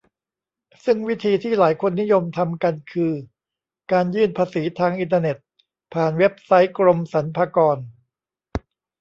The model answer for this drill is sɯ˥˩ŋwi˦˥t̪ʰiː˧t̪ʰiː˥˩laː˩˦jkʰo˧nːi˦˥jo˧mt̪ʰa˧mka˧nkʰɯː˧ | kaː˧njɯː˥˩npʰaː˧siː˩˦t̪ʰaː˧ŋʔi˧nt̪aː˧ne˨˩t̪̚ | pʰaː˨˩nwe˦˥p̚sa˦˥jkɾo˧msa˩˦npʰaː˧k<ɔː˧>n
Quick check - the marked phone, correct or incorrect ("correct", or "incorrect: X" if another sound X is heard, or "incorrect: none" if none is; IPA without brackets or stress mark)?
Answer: correct